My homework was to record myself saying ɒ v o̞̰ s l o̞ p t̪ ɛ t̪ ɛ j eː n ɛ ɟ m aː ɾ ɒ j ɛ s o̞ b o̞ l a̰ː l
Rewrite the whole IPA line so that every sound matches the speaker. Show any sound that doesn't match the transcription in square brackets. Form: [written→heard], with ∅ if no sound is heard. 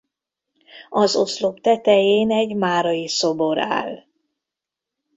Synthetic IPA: ɒ [v→z] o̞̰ s l o̞ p t̪ ɛ t̪ ɛ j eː n ɛ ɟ m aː ɾ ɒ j [ɛ→i] s o̞ b o̞ [l→ɾ] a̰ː l